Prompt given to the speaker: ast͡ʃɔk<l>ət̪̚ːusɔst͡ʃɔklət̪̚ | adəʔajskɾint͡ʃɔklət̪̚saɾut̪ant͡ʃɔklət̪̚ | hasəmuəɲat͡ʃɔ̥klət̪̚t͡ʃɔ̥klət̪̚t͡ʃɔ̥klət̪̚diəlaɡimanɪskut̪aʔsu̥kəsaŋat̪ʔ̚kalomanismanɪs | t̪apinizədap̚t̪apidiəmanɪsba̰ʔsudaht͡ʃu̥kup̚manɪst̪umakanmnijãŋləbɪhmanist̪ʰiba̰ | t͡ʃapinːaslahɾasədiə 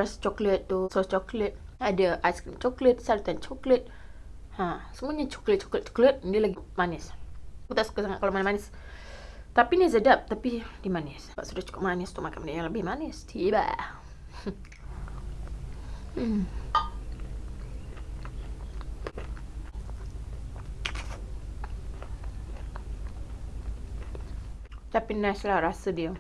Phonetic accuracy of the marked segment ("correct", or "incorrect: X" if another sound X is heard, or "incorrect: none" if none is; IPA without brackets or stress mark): correct